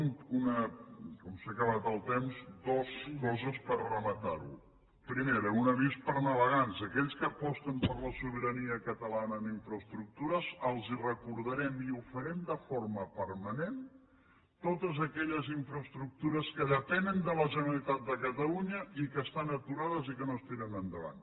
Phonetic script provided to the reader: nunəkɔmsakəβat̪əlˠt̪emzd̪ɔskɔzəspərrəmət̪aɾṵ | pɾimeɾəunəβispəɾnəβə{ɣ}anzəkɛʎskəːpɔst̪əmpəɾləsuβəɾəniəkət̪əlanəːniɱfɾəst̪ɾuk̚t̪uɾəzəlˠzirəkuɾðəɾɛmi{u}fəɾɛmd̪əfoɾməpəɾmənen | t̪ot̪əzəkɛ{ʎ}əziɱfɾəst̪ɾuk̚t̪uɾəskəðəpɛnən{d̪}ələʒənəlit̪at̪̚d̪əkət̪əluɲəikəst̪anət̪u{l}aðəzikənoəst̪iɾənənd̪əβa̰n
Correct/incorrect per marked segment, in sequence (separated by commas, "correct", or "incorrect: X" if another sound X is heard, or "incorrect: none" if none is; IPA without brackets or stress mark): correct, correct, correct, correct, incorrect: ɾ